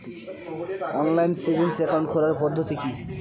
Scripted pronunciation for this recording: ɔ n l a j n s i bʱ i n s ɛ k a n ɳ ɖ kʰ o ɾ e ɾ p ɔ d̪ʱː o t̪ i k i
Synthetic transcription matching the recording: ɔ n l a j n s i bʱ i n s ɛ k a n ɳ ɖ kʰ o ɾ a ɾ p ɔ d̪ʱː o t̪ i k i